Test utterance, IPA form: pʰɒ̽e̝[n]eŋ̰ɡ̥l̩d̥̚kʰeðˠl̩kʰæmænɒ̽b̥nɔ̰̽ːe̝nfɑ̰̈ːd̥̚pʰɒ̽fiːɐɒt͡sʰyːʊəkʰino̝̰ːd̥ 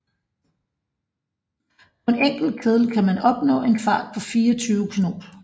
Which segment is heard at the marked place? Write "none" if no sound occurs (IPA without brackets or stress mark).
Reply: n